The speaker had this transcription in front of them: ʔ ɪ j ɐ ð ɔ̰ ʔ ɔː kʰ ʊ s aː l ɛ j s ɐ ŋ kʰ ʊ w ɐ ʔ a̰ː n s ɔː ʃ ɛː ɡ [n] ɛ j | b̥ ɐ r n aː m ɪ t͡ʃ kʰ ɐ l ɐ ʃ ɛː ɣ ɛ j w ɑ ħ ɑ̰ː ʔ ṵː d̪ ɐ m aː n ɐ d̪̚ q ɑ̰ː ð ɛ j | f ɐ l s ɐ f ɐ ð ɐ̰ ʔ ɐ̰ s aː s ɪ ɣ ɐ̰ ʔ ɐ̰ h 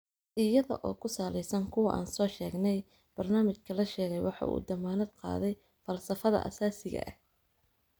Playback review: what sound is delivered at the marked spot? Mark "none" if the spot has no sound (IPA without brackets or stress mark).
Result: n